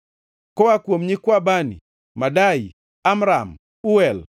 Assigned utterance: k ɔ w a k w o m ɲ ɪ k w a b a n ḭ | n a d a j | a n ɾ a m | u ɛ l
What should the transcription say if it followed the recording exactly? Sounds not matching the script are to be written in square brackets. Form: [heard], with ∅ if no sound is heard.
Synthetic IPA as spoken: k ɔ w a k w o m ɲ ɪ k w a b a n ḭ | [m] a d a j | a [m] ɾ a m | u ɛ l